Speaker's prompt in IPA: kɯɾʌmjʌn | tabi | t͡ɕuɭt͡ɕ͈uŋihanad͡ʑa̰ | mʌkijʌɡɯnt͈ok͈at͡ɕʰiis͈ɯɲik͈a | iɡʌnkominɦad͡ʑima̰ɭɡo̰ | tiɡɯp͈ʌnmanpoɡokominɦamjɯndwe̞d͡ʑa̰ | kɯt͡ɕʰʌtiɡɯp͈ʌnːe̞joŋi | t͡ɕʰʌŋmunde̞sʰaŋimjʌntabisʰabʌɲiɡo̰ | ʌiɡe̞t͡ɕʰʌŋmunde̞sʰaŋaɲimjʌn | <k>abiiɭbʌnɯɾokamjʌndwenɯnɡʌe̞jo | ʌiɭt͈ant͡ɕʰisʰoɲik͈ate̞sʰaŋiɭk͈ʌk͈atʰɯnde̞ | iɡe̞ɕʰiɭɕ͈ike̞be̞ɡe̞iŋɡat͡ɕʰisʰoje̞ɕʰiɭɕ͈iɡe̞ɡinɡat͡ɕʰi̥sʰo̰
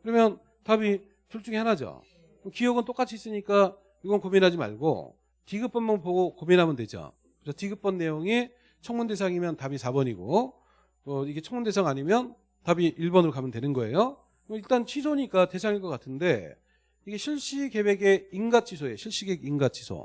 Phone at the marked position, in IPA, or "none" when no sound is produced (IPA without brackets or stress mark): t